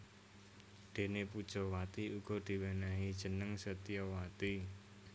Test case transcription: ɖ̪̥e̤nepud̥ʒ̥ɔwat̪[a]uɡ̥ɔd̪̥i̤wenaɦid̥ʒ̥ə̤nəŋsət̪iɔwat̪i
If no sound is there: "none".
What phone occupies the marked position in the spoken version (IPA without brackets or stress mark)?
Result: i